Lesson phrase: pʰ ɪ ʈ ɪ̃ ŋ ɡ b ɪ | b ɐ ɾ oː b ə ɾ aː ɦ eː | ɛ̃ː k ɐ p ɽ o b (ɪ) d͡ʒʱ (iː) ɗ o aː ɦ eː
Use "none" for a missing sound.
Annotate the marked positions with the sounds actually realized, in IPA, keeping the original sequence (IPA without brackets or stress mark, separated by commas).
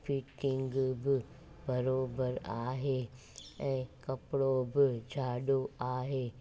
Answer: ɪ, aː